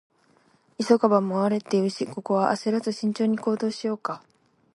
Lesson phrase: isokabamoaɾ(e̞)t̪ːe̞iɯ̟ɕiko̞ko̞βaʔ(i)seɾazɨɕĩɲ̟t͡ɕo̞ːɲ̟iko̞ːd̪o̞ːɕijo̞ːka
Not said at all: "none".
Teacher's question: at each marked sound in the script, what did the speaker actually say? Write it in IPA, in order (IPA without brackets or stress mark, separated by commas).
e̞, a